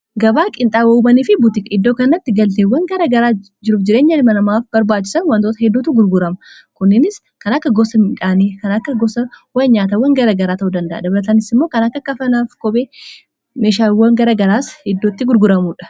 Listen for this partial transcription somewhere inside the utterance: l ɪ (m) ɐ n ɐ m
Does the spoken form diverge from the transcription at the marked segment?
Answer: no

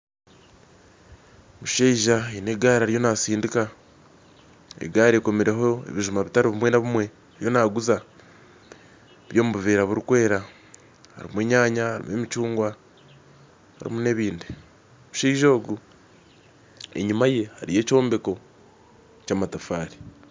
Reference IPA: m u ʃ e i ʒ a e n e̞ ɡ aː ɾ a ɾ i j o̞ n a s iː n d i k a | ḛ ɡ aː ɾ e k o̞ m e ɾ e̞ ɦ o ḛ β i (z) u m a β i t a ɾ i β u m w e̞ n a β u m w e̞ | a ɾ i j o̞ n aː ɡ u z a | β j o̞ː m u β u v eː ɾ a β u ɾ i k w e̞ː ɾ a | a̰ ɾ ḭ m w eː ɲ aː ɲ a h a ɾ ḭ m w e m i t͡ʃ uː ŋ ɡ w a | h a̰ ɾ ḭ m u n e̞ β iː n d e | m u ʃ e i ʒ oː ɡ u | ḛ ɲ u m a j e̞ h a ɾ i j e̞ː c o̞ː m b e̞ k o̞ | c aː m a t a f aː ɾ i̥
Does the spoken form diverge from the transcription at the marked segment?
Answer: yes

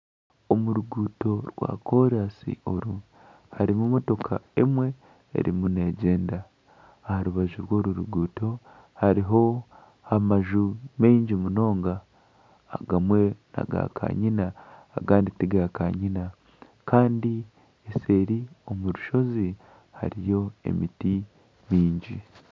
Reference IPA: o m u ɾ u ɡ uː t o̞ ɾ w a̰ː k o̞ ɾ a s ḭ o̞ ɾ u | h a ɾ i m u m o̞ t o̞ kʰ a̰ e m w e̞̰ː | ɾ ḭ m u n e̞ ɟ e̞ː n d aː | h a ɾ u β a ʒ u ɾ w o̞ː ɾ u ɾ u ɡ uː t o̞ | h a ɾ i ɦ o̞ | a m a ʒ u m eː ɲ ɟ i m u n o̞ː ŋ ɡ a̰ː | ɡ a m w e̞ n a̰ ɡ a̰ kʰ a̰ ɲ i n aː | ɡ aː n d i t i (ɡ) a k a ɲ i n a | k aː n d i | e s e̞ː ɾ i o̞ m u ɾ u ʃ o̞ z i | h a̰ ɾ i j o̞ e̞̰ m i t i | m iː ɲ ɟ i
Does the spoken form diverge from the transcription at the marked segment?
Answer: no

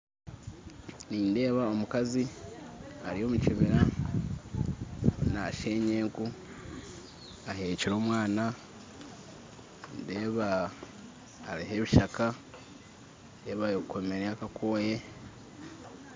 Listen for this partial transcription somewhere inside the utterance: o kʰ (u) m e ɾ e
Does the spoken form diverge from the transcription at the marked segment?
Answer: yes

